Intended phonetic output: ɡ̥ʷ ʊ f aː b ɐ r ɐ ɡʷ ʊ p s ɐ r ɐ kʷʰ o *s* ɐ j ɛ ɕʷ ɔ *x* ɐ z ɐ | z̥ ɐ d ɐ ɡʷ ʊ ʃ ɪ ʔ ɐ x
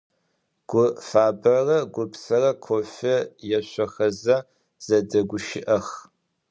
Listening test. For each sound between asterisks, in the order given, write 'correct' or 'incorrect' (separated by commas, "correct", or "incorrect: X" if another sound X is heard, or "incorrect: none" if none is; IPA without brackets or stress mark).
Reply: incorrect: f, correct